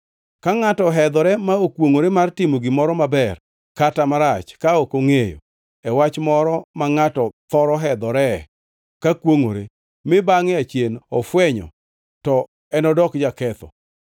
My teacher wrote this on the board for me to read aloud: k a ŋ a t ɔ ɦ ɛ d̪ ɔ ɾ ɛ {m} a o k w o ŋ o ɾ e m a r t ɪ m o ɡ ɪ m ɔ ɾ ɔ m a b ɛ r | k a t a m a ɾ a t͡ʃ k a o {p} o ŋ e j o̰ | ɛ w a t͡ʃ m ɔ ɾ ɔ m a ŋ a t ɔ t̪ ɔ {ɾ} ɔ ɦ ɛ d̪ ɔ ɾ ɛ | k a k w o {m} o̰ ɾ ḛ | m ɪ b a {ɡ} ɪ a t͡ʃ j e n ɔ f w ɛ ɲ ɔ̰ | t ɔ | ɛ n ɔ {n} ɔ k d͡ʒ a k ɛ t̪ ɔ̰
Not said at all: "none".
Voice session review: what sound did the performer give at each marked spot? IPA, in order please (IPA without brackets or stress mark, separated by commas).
m, k, ɾ, ŋ, ŋ, d